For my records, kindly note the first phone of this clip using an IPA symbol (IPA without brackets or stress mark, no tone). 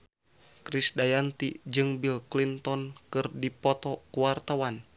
k